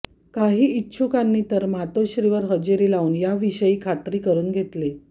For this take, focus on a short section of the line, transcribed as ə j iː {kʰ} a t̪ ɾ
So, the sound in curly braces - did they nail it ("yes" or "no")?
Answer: yes